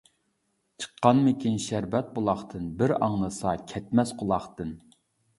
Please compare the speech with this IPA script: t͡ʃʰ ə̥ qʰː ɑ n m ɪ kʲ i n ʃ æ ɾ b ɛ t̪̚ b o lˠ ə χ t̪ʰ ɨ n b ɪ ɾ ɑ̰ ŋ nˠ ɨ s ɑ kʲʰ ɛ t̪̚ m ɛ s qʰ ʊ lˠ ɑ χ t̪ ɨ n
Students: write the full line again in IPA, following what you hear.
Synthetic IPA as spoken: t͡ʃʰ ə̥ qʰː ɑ n m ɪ kʲ i n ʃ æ ɾ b ɛ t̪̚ b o lˠ ɑ χ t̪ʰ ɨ n b ɪ ɾ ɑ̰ ŋ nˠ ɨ s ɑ kʲʰ ɛ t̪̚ m ɛ s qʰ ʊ lˠ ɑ χ t̪ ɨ n